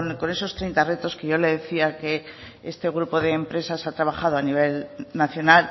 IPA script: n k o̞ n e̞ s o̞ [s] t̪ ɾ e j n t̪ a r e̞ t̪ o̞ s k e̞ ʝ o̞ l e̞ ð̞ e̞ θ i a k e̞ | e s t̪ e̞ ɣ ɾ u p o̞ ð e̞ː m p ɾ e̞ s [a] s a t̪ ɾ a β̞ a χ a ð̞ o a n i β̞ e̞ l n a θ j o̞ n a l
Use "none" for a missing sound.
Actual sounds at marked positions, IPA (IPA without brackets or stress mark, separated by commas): s, a